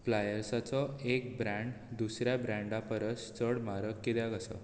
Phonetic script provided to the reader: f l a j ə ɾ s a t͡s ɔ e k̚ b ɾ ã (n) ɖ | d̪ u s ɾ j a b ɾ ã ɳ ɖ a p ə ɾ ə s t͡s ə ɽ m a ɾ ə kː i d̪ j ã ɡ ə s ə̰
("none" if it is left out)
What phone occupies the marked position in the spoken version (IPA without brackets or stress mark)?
ɳ